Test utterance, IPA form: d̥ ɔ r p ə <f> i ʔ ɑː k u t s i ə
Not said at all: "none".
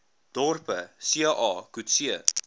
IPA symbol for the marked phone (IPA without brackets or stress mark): s